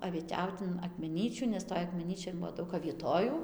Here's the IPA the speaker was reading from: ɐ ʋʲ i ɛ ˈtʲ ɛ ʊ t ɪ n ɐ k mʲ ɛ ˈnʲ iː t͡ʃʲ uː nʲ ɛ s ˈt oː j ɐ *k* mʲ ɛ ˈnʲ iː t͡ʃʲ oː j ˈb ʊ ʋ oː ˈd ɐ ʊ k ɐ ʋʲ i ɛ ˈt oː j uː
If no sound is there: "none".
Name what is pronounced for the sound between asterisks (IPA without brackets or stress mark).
k